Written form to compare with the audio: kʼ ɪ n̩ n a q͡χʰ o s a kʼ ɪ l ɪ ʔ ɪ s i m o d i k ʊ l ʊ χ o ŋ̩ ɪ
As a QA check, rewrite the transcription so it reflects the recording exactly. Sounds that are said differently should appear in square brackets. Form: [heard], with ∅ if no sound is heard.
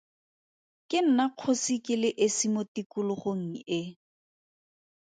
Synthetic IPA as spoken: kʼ ɪ n̩ n a q͡χʰ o s [i] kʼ ɪ l ɪ ʔ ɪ s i m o [t] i k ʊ l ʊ χ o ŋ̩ ɪ